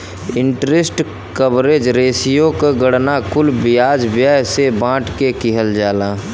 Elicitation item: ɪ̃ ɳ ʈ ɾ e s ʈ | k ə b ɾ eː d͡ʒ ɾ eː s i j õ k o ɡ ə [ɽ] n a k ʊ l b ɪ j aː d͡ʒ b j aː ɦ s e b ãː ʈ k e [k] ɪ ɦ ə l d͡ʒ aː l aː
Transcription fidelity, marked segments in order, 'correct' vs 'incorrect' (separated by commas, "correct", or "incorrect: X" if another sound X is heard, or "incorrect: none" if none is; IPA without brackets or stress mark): correct, correct